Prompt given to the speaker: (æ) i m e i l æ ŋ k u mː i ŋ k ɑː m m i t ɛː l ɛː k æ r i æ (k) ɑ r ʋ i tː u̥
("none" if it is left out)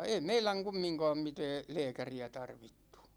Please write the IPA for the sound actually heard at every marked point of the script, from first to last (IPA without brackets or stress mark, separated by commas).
e, t